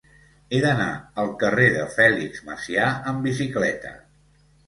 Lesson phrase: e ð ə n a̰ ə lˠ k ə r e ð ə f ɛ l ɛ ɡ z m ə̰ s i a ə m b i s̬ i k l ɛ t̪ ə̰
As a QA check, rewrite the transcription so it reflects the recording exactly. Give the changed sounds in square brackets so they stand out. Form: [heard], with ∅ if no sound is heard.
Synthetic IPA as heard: e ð ə n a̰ ə lˠ k ə r e ð ə f ɛ l [i] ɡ z m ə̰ s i a ə m b i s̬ i k l ɛ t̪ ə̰